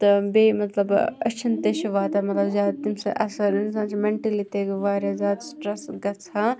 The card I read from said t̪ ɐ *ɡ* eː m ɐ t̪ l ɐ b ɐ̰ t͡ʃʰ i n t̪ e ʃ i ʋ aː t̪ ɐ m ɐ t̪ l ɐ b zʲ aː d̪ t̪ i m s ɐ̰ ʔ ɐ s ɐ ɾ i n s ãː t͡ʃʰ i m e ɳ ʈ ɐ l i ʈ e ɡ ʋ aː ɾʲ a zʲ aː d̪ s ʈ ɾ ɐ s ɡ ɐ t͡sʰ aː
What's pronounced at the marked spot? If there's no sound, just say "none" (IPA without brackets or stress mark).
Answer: b